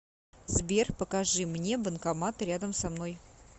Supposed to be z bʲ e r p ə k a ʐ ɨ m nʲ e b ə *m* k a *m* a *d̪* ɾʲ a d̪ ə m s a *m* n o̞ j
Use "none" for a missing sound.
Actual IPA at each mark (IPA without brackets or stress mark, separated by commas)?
n, m, t̪, m